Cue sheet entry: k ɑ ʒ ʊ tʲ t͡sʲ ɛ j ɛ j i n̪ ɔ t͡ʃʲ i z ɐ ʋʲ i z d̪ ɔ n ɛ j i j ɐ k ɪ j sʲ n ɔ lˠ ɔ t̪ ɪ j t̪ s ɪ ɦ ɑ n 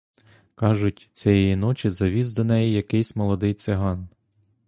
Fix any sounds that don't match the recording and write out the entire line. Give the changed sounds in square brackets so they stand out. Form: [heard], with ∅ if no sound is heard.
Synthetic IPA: k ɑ ʒ ʊ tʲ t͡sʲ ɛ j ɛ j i n̪ ɔ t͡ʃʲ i z ɐ ʋʲ i z d̪ ɔ n ɛ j i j ɐ k ɪ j sʲ [m] ɔ lˠ ɔ [d̪] ɪ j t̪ s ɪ ɦ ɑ n